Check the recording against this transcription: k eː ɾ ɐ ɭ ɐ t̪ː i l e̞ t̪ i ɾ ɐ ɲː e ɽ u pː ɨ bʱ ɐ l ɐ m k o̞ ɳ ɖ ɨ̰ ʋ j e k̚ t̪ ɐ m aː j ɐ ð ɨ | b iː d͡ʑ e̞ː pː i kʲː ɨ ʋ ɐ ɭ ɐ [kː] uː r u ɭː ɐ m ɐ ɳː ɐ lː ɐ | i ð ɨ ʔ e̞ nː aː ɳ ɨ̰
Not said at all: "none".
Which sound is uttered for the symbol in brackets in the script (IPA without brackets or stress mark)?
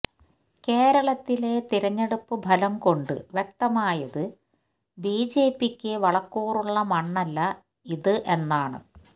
kː